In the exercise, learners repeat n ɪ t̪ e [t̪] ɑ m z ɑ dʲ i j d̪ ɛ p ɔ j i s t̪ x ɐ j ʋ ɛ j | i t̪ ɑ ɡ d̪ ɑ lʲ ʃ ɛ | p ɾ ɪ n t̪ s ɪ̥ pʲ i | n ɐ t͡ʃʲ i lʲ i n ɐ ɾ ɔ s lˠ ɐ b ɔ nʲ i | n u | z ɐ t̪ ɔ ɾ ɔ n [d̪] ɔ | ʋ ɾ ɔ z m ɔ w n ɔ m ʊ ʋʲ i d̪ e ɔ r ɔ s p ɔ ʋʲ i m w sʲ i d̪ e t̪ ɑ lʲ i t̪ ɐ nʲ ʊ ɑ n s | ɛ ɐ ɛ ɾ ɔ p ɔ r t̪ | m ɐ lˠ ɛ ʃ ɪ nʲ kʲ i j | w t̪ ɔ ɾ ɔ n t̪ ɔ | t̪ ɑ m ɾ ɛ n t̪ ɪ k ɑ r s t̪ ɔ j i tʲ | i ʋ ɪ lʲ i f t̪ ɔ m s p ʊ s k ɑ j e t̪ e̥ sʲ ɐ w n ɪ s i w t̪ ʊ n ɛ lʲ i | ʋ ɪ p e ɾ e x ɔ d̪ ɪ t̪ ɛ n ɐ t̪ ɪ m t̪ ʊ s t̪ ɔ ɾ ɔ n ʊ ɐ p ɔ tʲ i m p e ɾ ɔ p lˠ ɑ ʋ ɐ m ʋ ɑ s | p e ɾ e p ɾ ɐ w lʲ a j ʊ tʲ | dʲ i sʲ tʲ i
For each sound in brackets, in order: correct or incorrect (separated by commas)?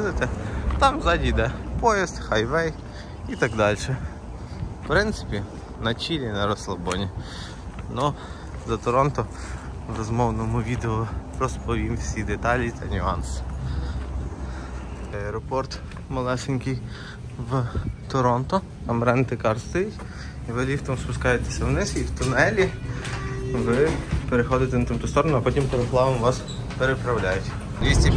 correct, incorrect